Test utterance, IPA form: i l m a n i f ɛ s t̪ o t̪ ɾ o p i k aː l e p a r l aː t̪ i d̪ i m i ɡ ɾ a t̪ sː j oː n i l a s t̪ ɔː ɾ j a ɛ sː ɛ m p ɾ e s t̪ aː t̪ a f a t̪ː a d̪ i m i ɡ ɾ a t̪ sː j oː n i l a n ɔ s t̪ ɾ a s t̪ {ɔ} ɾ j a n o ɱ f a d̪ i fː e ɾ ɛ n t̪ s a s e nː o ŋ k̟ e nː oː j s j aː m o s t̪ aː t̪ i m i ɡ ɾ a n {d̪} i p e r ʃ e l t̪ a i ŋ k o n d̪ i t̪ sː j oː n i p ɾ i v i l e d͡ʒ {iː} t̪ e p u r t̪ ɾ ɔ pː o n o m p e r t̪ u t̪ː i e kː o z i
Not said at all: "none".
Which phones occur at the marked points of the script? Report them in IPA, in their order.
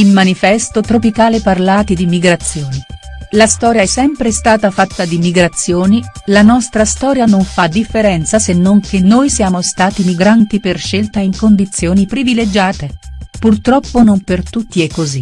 ɔː, t̪, aː

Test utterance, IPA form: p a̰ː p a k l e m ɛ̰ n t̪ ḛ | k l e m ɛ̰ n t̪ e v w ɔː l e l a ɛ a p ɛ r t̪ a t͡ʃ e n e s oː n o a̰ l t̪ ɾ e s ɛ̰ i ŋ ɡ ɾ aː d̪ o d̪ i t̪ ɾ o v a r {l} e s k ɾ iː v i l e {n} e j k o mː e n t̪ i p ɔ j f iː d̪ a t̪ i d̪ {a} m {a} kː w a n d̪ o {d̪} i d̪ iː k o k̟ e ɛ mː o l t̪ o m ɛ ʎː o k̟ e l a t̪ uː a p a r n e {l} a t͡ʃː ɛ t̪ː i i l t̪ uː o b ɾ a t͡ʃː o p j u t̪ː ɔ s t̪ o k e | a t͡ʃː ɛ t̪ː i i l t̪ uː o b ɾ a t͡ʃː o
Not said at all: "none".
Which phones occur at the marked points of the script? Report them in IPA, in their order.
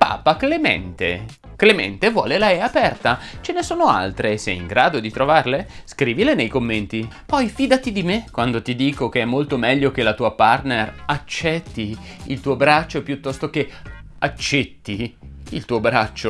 l, n, i, e, t̪, r

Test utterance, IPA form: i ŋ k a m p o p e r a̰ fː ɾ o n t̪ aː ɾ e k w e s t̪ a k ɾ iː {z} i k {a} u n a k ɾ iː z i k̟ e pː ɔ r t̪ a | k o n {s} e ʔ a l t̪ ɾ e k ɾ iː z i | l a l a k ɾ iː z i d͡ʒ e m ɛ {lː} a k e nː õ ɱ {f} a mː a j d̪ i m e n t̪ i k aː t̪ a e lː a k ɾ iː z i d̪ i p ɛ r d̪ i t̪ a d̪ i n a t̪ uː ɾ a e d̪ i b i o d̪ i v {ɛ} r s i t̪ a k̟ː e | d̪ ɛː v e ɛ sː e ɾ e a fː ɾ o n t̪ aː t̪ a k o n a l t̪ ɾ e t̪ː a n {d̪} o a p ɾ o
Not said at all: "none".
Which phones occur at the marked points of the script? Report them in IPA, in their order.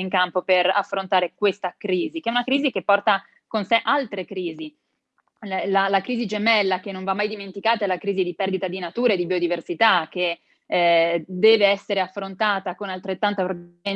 z, ɛ, s, lː, v, e, t̪

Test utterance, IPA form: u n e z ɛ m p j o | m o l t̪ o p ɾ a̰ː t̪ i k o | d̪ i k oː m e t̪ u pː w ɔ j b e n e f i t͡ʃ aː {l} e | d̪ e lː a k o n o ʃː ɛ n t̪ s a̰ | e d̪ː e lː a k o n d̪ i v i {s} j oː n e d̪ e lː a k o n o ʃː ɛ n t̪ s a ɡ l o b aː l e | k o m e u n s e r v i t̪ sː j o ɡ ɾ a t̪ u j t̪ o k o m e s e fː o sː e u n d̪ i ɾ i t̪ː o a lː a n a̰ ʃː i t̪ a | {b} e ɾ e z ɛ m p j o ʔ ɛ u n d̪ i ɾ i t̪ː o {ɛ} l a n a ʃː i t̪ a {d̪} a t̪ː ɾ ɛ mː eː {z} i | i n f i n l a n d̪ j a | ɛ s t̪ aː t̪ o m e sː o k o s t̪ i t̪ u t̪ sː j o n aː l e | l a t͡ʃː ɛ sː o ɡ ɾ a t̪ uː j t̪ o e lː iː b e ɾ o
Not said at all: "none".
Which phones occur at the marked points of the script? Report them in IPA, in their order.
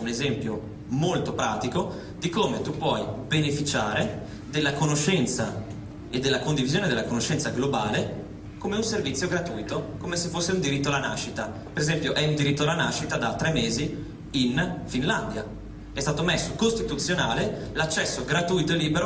ɾ, z, p, a, d̪, z

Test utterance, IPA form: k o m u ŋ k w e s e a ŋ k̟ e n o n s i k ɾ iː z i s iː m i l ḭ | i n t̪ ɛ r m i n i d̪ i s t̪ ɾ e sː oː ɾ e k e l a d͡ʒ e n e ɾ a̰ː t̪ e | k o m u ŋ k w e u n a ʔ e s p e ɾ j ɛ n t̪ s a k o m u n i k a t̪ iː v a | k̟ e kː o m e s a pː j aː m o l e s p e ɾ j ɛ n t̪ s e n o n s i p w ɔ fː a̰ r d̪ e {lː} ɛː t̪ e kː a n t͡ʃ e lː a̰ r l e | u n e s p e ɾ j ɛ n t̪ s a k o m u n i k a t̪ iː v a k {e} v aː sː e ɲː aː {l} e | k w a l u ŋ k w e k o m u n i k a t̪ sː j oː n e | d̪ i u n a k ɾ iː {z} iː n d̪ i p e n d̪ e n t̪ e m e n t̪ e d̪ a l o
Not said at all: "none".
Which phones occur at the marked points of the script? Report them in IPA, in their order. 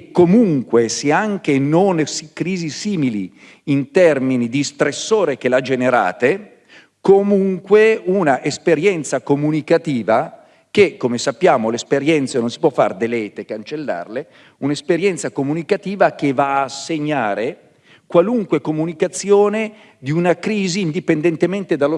l, e, ɾ, z

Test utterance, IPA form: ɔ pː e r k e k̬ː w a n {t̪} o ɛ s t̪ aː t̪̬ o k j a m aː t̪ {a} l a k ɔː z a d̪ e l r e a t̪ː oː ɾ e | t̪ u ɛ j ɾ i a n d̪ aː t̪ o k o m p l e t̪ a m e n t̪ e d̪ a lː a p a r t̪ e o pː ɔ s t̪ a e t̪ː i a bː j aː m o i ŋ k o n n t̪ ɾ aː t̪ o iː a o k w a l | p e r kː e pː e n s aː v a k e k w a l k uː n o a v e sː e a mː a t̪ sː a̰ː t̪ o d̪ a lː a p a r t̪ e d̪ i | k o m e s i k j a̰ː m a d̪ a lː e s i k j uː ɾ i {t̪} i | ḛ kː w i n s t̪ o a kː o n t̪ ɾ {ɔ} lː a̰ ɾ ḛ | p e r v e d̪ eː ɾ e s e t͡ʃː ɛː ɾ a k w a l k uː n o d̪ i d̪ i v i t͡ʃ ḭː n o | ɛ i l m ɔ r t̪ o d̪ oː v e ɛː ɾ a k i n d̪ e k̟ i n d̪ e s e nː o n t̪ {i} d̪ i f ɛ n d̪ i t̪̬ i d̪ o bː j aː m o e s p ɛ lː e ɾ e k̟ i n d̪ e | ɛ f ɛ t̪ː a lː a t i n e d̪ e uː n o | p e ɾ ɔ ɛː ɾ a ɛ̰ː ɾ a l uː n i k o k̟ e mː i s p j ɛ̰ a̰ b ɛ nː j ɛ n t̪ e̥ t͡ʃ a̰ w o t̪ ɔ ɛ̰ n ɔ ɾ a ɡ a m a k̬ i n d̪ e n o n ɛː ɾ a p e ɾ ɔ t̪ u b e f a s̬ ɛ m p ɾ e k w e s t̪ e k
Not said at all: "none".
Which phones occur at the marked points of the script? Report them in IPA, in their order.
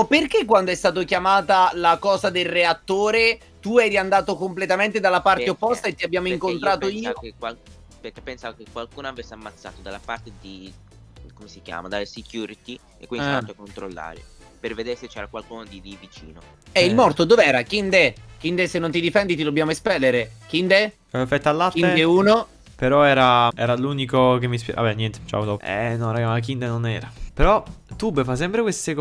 d̪, a, t̪, o, i

